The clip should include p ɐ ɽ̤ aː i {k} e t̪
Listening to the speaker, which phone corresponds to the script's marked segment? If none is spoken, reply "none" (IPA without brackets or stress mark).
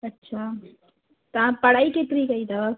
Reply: k